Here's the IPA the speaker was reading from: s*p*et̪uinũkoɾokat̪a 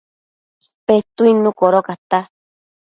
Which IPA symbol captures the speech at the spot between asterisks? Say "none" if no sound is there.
p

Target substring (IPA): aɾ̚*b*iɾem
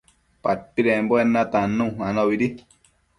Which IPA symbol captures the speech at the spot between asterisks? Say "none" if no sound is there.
p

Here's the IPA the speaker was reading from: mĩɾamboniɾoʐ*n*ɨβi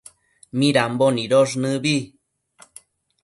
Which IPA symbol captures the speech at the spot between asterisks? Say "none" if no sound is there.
n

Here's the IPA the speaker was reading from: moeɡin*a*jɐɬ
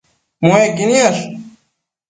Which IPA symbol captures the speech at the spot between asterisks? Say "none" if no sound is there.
i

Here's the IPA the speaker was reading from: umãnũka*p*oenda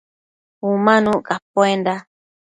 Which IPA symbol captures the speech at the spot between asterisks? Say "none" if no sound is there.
p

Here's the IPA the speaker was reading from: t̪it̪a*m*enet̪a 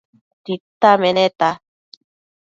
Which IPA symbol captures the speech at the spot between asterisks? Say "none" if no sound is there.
m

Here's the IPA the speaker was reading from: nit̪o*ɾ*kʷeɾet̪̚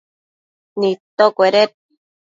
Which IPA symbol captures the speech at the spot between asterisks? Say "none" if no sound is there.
none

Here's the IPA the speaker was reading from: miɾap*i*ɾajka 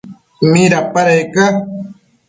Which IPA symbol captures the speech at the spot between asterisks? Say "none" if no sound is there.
a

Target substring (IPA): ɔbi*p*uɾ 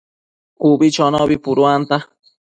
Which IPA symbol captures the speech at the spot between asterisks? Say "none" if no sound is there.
p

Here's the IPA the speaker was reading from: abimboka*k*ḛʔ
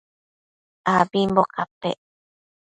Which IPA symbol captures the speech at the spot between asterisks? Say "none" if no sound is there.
p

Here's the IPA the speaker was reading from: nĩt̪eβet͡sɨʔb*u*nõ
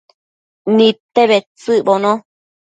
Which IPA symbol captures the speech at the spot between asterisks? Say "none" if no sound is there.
o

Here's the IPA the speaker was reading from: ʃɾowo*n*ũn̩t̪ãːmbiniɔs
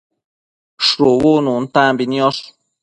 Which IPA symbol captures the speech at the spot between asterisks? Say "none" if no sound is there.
n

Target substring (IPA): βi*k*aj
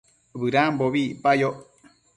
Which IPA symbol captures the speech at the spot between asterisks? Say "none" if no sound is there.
p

